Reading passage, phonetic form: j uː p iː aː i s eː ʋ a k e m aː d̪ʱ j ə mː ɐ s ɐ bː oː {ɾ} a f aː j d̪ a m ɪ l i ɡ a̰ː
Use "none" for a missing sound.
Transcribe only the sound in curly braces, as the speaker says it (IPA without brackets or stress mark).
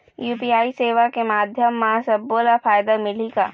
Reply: l